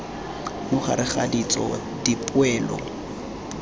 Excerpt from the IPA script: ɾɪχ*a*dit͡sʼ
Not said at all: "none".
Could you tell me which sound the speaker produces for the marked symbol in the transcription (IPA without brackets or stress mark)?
a